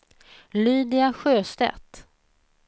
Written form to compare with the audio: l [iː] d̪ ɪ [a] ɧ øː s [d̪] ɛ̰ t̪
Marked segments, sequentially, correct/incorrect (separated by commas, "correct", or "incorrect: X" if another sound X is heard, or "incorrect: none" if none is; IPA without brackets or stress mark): incorrect: yː, correct, incorrect: t̪